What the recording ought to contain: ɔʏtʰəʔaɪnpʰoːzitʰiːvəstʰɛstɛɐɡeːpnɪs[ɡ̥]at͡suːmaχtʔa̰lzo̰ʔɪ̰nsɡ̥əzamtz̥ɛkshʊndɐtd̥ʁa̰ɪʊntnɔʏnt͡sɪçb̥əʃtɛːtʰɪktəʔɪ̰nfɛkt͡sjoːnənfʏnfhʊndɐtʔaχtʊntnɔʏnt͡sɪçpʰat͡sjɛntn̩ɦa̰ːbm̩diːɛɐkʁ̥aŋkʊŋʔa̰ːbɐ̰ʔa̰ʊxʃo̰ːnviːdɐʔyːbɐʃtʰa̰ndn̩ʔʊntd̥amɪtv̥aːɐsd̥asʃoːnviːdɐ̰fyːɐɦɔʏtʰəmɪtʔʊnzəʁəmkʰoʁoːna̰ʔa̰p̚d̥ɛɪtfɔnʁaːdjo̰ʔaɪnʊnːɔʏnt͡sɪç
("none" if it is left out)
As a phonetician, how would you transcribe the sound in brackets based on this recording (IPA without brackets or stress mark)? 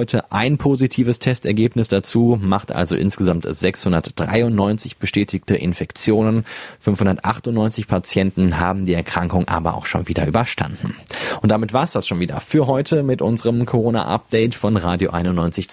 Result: d̥